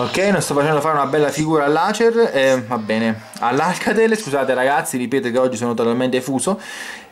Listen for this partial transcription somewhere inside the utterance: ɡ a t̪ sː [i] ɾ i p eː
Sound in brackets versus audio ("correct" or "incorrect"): correct